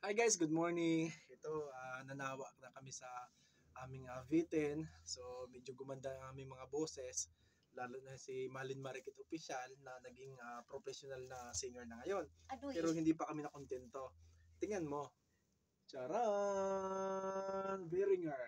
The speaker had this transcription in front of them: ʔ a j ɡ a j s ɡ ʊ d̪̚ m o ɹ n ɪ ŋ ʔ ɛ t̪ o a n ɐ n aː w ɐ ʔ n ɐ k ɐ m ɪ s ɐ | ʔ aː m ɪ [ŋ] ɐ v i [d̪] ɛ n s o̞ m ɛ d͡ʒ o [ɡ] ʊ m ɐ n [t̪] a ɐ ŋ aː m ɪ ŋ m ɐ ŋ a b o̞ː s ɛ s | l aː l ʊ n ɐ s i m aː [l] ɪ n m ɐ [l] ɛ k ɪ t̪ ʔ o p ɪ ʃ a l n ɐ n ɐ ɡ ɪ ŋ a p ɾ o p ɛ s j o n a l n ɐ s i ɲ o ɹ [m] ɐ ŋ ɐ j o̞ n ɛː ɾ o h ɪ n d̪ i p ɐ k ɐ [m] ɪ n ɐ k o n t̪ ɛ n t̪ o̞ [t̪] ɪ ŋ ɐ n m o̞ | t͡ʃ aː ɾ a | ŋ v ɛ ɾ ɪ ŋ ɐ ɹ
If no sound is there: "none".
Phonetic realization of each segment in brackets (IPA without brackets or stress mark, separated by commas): ŋ, t̪, ɡ, d̪, l, ɾ, n, m, t̪